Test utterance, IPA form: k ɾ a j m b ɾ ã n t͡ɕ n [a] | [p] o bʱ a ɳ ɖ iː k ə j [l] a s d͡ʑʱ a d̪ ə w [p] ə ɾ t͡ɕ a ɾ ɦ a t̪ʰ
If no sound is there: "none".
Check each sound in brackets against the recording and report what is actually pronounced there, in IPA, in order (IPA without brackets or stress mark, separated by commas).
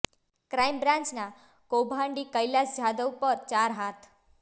a, k, l, p